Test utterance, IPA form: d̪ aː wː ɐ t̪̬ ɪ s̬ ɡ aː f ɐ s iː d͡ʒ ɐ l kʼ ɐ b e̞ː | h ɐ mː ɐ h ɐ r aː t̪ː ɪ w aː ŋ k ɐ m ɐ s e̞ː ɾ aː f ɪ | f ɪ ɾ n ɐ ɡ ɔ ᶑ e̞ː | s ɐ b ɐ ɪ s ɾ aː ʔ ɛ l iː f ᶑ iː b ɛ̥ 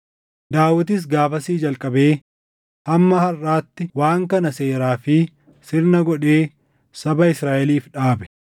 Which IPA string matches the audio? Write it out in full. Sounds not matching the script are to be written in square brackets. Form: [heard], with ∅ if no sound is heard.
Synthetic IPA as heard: d̪ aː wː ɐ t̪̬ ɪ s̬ ɡ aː f ɐ s iː d͡ʒ ɐ l kʼ ɐ b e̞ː | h ɐ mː ɐ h ɐ r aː t̪ː ɪ w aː ŋ k ɐ [n] ɐ s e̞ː ɾ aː f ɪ | [s] ɪ ɾ n ɐ ɡ ɔ ᶑ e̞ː | s ɐ b ɐ ɪ s ɾ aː ʔ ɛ l iː f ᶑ [aː] b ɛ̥